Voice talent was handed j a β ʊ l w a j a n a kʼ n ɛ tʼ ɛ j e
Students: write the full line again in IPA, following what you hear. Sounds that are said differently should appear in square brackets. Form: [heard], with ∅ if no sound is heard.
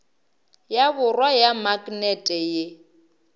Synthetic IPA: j a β ʊ [r] w a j a [m] a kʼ n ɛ tʼ ɛ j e